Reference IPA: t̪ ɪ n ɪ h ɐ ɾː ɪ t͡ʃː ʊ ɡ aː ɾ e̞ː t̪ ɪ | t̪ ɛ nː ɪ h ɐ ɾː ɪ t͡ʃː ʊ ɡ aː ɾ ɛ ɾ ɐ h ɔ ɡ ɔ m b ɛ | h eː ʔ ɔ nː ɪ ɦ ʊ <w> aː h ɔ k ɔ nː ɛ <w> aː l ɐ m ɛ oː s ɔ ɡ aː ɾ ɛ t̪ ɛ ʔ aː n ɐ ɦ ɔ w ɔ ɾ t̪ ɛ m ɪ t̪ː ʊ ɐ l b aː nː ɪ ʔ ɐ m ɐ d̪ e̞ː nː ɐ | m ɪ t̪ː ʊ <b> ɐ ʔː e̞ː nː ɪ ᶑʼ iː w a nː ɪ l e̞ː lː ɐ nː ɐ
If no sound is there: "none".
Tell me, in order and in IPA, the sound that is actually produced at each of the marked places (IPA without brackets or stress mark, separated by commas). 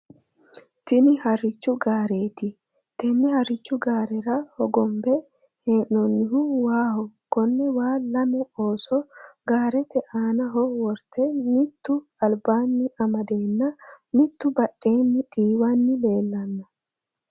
w, w, b